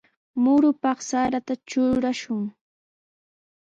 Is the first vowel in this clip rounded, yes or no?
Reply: yes